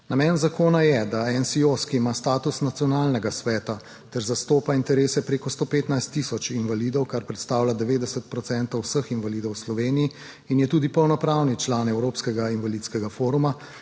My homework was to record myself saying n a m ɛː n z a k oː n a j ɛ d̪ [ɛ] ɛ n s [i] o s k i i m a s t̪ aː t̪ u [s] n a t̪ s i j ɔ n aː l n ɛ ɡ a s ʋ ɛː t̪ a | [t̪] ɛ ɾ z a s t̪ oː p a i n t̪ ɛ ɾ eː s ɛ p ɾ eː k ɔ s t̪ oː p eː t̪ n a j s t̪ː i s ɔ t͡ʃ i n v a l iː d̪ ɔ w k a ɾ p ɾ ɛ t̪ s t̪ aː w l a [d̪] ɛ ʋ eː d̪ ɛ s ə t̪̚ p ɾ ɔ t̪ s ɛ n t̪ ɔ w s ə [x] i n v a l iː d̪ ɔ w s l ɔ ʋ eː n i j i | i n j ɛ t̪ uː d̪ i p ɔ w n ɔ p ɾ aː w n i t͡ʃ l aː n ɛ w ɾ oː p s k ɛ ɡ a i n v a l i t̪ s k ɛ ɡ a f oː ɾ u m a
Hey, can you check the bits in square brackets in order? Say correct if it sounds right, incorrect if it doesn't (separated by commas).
incorrect, correct, correct, correct, correct, correct